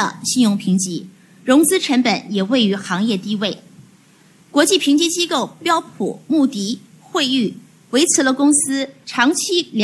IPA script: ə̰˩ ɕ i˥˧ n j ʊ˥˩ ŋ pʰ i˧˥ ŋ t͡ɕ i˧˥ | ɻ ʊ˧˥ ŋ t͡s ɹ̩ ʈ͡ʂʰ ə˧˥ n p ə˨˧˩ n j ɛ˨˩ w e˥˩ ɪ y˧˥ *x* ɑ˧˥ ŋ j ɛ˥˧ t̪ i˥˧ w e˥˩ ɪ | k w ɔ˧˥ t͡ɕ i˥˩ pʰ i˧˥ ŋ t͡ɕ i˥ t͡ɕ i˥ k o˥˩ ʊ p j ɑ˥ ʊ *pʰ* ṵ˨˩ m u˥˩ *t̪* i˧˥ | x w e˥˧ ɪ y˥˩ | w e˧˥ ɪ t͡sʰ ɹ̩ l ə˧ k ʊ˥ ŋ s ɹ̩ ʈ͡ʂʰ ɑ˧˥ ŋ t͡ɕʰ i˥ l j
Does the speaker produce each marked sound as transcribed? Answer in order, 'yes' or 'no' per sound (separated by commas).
yes, yes, yes